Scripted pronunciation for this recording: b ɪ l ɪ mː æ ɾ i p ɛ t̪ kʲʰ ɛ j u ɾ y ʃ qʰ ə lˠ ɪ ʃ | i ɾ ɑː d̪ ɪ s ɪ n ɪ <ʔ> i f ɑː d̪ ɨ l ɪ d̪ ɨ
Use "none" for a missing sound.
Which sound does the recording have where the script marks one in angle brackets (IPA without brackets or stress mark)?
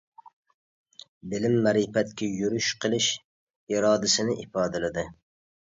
ʔ